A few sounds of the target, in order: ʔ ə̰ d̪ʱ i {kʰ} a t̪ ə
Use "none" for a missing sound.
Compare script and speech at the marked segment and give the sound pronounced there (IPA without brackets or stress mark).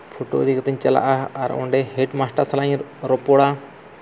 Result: k